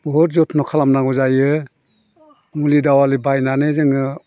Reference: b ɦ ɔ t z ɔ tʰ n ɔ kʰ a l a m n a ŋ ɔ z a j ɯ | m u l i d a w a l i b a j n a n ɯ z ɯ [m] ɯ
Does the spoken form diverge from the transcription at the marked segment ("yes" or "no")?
yes